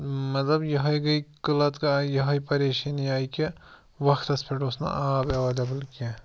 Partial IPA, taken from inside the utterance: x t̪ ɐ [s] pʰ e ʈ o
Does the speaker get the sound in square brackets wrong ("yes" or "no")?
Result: no